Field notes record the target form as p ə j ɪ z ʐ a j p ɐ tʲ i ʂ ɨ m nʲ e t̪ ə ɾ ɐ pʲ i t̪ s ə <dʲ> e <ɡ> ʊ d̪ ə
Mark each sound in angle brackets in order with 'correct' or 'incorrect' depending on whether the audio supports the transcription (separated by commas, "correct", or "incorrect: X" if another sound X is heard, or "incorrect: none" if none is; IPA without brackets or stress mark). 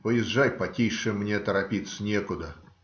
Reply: incorrect: nʲ, incorrect: k